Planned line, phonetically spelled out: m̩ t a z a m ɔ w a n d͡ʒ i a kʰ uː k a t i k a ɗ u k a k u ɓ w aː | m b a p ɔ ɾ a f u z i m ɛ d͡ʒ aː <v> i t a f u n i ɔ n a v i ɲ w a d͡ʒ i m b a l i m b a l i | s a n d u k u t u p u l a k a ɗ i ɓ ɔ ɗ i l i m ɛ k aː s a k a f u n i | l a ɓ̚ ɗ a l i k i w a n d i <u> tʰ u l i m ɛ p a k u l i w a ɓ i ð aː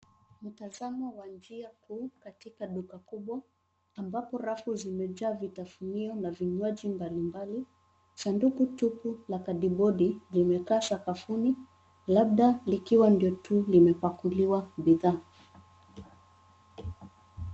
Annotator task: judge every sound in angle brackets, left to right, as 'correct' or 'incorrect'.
correct, incorrect

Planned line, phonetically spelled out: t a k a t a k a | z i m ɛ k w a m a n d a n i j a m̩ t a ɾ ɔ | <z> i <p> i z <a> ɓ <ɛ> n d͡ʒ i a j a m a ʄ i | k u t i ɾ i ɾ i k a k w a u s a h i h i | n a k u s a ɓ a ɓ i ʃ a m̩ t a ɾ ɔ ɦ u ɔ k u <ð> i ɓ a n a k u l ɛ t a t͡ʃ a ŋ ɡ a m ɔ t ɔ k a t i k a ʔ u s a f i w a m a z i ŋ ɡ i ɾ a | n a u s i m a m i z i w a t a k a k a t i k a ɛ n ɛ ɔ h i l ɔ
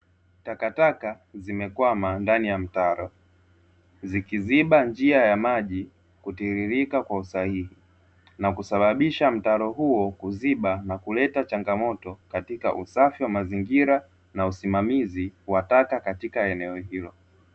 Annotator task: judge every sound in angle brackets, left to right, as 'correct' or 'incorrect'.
correct, incorrect, incorrect, incorrect, incorrect

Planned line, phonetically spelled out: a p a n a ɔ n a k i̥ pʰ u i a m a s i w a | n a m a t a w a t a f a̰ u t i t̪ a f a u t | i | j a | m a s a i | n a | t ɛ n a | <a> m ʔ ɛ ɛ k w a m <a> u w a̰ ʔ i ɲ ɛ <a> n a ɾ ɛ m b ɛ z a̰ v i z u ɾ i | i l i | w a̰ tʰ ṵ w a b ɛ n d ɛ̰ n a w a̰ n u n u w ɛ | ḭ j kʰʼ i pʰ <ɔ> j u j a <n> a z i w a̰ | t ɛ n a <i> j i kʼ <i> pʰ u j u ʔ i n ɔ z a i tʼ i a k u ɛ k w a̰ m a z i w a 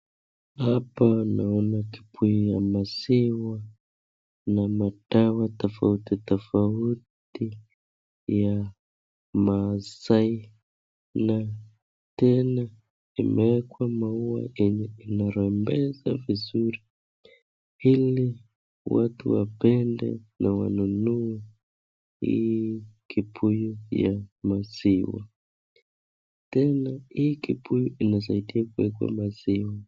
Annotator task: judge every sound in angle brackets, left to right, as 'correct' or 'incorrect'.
incorrect, correct, incorrect, incorrect, incorrect, correct, correct

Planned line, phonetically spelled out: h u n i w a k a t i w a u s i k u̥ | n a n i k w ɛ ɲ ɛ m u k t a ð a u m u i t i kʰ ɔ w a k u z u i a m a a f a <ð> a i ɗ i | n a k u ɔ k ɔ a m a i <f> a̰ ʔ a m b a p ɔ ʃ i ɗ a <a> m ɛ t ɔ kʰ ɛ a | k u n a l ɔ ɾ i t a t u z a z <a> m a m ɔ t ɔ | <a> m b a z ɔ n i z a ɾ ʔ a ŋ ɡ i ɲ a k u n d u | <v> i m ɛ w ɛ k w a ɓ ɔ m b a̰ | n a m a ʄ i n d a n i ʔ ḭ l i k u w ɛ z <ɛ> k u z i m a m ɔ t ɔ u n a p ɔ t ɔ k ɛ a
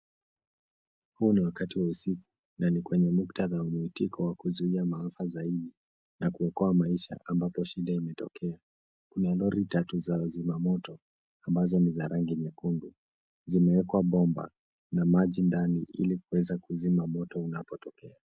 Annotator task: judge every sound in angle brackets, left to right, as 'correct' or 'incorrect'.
incorrect, incorrect, incorrect, incorrect, correct, incorrect, incorrect

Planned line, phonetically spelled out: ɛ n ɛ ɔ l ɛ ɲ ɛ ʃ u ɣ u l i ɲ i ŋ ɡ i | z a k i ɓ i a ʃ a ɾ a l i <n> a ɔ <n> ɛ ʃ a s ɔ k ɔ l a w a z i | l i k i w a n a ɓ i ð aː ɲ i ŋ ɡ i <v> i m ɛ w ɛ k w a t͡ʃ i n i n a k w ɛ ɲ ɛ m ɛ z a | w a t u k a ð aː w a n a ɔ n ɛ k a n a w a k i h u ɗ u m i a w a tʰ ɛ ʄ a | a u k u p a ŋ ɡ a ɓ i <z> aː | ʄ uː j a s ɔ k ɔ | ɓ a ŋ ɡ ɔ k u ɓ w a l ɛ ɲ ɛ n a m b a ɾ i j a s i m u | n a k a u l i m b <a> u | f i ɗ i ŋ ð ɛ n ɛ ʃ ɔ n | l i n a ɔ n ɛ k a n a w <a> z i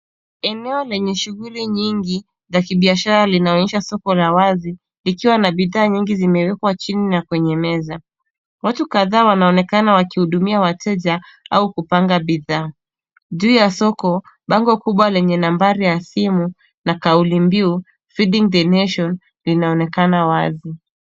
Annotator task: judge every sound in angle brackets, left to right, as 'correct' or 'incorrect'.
correct, incorrect, incorrect, incorrect, incorrect, correct

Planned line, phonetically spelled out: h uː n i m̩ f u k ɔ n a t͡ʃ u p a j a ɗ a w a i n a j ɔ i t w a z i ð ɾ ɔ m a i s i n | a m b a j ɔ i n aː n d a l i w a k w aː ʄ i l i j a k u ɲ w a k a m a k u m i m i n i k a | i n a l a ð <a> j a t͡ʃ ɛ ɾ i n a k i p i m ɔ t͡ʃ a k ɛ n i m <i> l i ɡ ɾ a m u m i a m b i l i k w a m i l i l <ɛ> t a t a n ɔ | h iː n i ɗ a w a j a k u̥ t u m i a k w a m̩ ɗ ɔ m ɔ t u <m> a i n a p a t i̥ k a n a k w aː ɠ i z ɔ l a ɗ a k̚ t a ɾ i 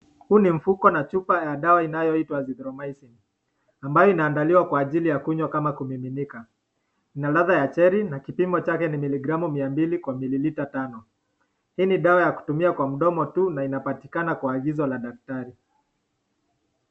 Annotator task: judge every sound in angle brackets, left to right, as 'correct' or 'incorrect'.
correct, correct, incorrect, incorrect

